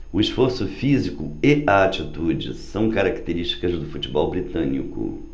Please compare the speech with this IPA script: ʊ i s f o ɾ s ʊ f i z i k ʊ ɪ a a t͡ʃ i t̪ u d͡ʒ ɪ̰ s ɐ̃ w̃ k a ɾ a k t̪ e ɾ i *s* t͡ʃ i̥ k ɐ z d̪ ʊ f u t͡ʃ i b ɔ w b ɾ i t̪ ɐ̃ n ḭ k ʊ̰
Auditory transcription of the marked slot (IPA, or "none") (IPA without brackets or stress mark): ʃ